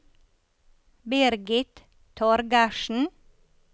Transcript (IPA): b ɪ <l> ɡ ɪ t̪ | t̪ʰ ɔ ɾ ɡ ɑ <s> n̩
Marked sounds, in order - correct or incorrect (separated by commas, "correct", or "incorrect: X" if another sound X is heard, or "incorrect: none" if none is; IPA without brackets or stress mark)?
incorrect: ɾ, incorrect: ʃ